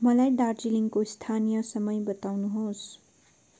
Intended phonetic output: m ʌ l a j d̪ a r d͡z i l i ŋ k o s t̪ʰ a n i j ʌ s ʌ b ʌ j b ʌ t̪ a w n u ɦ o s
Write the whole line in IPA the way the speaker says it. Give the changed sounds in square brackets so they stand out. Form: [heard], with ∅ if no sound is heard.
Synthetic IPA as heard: m ʌ l a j d̪ a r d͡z i l i ŋ k o s t̪ʰ a n i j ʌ s ʌ [m] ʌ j b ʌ t̪ a w n u ɦ o s